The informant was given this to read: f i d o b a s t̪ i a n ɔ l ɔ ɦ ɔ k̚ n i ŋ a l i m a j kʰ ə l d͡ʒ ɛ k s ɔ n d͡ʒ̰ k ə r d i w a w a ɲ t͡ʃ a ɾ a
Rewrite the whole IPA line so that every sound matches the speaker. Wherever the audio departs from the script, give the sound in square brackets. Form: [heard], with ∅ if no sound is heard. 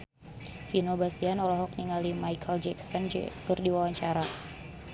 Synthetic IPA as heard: f i [n] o b a s t̪ i a n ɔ l ɔ ɦ ɔ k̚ n i ŋ a l i m a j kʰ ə l d͡ʒ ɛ k s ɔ n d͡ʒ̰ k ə r d i w a w a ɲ t͡ʃ a ɾ a